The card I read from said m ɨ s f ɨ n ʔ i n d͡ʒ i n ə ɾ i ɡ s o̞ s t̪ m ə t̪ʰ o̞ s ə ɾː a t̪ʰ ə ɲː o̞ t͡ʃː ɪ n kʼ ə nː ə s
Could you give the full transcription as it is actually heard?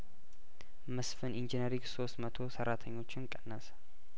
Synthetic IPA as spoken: m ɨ s f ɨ n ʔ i n d͡ʒ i n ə ɾ i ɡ s o̞ s t̪ m ə t̪ʰ o̞ s ə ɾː a t̪ʰ ə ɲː o̞ t͡ʃː ɪ n kʼ ə nː ə s